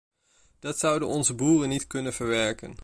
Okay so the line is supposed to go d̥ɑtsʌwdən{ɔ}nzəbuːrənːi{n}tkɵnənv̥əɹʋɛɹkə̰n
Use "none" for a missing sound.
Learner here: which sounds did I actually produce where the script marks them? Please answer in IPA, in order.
ɔ, none

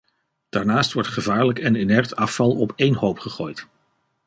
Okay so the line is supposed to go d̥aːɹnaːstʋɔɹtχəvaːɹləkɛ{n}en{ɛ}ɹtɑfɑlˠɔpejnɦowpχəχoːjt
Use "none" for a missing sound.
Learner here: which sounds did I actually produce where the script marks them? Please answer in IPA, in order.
n, ɛ

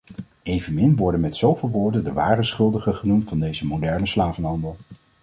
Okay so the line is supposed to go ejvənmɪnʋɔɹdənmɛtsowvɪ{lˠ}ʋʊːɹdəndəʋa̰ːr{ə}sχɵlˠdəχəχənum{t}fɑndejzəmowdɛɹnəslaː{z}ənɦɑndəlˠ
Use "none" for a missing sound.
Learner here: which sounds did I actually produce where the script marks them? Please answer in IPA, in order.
lˠ, ə, t, v

